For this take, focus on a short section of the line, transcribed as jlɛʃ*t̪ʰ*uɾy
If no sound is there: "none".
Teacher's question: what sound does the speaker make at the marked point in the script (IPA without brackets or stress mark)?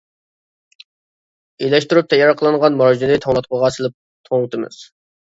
t̪